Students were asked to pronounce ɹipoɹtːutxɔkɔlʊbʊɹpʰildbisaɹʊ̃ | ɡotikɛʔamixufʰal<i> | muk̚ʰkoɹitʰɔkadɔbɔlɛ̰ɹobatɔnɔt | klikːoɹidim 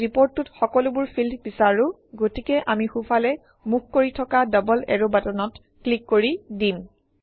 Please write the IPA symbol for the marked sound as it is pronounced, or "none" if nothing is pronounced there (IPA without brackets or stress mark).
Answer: ɛ